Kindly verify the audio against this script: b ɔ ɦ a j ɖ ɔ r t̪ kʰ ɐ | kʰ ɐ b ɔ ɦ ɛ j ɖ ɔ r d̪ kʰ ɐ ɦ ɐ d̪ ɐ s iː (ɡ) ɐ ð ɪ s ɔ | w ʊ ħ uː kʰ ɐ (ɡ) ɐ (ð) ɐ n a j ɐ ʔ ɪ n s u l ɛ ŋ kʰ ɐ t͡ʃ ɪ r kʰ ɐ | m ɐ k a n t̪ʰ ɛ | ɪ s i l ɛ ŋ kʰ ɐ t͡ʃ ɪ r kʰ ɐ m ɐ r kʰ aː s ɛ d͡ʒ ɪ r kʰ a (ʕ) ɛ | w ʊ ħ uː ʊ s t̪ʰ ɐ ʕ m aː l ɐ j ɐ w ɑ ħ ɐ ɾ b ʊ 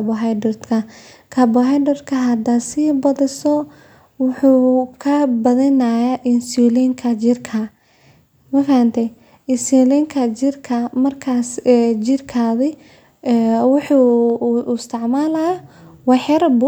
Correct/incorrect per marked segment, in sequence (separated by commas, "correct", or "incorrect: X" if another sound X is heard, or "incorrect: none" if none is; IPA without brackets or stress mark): incorrect: b, incorrect: b, correct, incorrect: ð